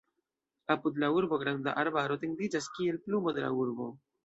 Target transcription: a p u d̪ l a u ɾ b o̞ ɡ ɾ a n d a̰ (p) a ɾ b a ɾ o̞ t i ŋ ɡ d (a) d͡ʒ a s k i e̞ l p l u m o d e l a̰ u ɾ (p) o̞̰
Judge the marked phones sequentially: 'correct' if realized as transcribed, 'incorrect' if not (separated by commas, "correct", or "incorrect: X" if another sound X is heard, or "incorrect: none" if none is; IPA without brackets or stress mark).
incorrect: ʔ, incorrect: i, incorrect: b